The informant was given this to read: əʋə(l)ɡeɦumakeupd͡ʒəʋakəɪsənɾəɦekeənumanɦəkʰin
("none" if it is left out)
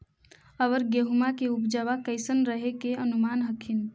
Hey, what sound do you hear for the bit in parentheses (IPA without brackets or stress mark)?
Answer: ɾ